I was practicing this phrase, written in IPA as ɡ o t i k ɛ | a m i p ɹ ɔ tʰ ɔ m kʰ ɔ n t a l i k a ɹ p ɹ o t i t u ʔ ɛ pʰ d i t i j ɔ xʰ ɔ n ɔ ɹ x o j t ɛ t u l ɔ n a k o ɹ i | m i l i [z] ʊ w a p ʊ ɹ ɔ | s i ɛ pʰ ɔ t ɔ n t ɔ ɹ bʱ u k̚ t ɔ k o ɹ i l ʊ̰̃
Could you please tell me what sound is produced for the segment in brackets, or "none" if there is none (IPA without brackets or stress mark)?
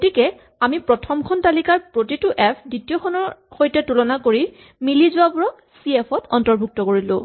z